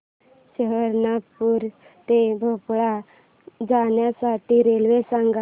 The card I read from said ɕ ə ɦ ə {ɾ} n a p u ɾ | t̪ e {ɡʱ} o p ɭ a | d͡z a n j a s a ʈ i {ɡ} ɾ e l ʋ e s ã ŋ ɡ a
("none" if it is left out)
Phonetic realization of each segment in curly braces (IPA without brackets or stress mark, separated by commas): ɾ, bʱ, none